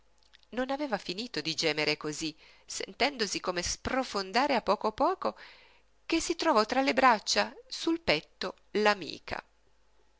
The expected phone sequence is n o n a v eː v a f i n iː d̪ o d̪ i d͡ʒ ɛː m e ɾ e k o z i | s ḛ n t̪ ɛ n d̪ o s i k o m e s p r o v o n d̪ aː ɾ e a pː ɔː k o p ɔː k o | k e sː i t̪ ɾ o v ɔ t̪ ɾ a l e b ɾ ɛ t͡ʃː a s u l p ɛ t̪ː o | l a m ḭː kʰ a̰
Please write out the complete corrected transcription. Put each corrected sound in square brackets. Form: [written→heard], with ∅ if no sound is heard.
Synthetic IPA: n o n a v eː v a f i n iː [d̪→t̪] o d̪ i d͡ʒ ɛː m e ɾ e k o z i | s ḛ n t̪ ɛ n d̪ o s i k o m e s p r o [v→f] o n d̪ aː ɾ e a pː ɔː k o p ɔː k o | k e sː i t̪ ɾ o v ɔ t̪ ɾ a l e b ɾ [ɛ→a] t͡ʃː a s u l p ɛ t̪ː o | l a m ḭː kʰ a̰